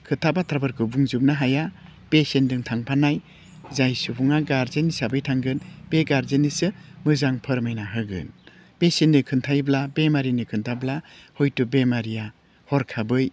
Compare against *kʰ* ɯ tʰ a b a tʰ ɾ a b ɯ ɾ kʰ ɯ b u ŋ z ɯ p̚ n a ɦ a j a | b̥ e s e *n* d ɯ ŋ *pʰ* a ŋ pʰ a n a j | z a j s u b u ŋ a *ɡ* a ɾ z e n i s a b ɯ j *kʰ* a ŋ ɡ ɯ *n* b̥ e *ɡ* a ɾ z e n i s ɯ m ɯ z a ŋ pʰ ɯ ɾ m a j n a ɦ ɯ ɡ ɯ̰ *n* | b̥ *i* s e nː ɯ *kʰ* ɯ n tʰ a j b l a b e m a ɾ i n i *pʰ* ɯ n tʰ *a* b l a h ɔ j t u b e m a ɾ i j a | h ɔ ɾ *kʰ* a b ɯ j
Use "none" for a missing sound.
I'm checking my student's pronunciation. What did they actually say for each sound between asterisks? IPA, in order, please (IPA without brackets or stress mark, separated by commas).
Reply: kʰ, n, tʰ, ɡ, tʰ, n, ɡ, n, e, kʰ, kʰ, a, kʰ